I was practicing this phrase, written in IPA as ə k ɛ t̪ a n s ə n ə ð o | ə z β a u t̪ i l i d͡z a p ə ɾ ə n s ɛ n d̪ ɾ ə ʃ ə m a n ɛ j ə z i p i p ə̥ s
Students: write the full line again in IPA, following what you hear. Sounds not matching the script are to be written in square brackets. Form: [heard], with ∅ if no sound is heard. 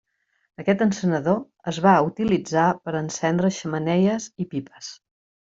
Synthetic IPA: ə k ɛ t̪ [ə] n s ə n ə ð o | ə z β a u t̪ i l i d͡z a p ə ɾ ə n s ɛ n d̪ ɾ ə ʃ ə m [ə] n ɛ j ə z i p i p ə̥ s